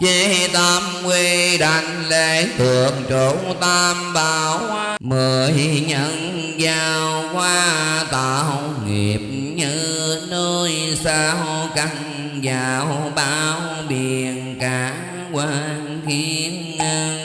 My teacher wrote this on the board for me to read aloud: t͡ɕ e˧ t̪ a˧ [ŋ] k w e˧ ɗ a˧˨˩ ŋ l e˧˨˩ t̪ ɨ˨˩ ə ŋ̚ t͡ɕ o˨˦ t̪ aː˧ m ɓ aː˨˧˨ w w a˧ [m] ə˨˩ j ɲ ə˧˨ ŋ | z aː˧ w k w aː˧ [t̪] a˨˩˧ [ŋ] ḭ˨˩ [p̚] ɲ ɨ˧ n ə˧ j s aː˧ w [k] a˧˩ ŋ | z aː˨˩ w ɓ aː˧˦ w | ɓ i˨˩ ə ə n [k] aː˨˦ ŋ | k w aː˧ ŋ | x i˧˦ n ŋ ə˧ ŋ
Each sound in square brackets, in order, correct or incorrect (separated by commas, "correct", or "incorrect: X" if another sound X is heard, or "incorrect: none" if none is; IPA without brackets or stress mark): incorrect: m, correct, correct, correct, correct, correct, correct